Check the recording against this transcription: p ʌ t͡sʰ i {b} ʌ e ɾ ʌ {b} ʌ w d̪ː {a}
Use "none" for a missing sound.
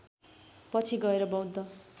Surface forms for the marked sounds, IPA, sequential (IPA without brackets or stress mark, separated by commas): ɡ, b, ʌ